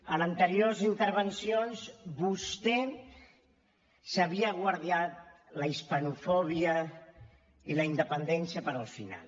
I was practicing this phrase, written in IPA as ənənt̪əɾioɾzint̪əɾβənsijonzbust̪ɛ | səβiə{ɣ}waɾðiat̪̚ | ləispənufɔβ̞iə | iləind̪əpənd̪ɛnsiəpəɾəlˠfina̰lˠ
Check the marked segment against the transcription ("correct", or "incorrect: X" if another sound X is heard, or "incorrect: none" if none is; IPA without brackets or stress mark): correct